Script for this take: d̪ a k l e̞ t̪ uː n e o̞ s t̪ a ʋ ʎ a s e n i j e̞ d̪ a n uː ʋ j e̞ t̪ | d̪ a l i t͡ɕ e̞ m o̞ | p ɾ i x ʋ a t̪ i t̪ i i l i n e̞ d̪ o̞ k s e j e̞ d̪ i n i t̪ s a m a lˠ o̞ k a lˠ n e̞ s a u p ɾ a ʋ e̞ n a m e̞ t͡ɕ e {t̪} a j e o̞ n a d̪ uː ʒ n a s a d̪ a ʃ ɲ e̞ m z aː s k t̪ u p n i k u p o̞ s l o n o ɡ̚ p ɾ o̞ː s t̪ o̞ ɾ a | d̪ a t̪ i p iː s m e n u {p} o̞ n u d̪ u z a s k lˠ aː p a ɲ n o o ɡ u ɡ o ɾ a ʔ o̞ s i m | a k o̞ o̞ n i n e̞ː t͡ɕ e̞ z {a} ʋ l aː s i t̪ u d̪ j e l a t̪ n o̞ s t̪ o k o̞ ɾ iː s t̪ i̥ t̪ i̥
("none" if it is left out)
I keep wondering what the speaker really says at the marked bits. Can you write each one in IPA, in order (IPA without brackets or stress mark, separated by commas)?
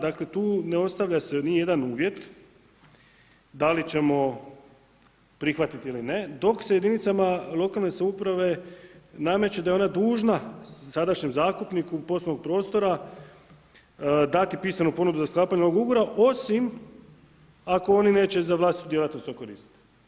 d̪, p, a